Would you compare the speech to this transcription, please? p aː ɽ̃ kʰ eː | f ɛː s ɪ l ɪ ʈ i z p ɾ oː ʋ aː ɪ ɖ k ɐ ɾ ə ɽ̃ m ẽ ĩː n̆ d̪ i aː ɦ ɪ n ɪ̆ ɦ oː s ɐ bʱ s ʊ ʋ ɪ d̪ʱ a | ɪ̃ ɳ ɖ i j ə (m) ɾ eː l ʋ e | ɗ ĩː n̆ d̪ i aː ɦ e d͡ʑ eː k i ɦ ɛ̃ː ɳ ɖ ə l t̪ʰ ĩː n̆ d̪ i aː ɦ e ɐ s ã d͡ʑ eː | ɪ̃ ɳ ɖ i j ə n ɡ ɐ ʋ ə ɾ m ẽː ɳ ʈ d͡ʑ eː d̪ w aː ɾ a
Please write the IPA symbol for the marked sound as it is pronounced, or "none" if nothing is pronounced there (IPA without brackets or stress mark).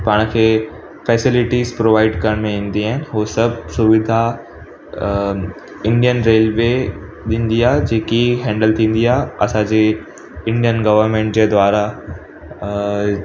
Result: n